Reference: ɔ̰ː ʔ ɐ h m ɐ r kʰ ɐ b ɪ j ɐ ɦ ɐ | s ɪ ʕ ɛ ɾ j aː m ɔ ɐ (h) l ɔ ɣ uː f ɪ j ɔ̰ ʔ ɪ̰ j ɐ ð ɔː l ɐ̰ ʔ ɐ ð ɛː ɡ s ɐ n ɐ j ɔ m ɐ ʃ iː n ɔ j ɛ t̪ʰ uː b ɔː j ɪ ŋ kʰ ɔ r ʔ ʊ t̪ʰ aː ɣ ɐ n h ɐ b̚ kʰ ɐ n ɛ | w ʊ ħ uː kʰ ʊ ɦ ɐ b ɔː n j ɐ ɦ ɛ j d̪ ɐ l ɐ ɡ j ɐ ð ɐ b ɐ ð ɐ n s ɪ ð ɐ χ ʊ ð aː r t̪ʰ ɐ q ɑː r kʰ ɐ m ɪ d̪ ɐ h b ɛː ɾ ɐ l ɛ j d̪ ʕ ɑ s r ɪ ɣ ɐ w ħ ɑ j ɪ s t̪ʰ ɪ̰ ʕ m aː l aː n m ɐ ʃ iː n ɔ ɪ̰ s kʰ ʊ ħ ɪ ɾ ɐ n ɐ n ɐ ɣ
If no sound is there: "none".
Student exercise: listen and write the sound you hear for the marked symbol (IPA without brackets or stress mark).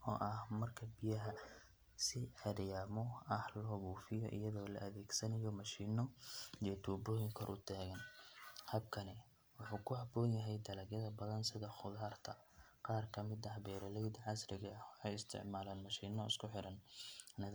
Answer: h